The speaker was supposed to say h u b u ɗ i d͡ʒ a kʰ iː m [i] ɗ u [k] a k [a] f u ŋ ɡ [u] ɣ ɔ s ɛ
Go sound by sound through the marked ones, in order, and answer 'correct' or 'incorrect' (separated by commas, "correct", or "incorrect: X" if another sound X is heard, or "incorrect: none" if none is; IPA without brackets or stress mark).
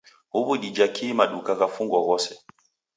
incorrect: a, correct, correct, incorrect: ɔ